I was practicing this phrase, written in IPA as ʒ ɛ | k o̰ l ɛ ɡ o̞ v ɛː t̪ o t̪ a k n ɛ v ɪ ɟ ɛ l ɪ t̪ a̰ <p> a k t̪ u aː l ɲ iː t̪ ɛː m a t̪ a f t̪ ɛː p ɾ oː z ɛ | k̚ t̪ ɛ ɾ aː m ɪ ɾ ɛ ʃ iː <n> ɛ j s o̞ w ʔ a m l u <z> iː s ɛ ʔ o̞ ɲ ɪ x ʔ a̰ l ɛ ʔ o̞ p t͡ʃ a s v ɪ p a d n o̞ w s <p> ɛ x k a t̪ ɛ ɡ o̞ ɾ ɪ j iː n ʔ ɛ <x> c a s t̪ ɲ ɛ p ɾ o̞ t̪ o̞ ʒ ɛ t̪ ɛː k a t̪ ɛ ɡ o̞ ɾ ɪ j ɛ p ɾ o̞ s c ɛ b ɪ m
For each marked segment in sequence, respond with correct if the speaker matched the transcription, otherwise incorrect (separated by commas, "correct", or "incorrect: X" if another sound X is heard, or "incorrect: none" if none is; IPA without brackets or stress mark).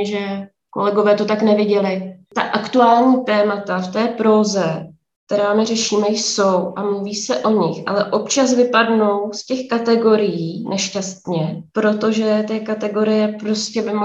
incorrect: ʔ, incorrect: m, incorrect: v, incorrect: c, incorrect: ʃ